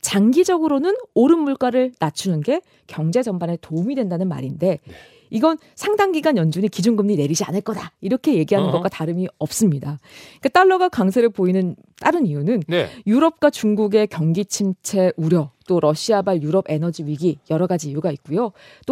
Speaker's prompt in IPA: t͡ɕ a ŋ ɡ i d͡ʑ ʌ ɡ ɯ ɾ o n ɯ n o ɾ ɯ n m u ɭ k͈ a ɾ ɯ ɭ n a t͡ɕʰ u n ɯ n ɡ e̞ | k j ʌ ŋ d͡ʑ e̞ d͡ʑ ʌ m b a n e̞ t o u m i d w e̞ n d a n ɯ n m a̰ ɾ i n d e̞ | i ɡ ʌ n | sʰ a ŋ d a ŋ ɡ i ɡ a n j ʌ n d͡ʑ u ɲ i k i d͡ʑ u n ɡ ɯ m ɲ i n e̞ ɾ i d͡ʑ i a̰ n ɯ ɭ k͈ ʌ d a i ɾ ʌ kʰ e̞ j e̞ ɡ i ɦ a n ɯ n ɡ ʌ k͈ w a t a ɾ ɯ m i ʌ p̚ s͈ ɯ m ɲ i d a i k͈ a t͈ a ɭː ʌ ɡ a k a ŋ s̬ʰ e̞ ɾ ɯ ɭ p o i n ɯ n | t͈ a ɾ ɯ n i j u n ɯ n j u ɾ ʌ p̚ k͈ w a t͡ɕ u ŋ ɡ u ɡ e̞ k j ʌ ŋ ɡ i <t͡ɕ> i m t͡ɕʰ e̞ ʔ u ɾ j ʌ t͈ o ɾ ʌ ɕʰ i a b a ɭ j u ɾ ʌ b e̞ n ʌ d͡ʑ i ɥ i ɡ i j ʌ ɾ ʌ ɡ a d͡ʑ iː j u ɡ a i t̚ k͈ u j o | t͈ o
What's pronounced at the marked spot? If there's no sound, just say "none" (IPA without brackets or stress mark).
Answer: t͡ɕʰ